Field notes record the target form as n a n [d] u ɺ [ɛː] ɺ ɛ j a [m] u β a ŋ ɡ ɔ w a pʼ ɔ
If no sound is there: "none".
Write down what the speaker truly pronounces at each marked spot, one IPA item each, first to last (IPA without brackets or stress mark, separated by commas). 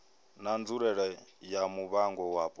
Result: d͡z, ɛ, m